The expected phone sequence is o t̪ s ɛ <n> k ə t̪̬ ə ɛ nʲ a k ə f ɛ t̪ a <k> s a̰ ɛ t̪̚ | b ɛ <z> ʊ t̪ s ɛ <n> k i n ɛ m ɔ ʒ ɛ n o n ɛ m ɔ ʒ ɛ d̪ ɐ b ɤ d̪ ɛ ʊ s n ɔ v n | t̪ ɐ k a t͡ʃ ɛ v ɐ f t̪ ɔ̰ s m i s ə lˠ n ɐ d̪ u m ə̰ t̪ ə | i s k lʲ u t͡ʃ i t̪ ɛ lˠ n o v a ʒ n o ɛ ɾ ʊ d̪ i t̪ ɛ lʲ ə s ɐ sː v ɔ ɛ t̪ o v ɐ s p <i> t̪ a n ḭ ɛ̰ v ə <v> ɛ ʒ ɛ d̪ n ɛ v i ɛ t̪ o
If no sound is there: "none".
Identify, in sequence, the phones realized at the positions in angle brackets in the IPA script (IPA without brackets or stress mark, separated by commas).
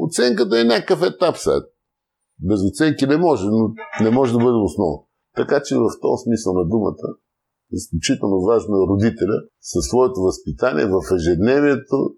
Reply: ŋ, p, z, ŋ, i, f